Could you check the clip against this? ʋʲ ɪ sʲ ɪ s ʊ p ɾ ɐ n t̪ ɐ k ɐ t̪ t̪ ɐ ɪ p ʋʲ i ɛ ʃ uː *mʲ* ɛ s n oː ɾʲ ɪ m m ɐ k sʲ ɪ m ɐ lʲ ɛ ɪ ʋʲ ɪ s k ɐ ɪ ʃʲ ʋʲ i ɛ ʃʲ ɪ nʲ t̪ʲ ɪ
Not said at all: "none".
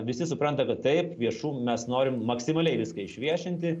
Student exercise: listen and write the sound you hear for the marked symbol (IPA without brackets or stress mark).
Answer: mʲ